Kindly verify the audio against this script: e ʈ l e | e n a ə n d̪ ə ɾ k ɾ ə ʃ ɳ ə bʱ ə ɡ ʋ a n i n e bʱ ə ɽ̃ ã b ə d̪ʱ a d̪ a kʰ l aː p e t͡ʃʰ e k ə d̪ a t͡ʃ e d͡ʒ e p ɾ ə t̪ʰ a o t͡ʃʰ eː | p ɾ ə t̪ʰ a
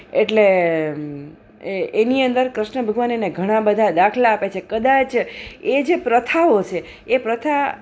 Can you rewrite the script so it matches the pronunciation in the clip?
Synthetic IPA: e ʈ l e | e n i ə n d̪ ə ɾ k ɾ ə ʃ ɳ ə bʱ ə ɡ ʋ a n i n e ɡʱ ə ɽ̃ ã b ə d̪ʱ a d̪ a kʰ l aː p e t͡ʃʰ e k ə d̪ a t͡ʃ e d͡ʒ e p ɾ ə t̪ʰ a o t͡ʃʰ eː | p ɾ ə t̪ʰ a